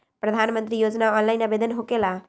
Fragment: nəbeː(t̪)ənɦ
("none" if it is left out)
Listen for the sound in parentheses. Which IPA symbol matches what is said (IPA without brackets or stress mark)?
d̪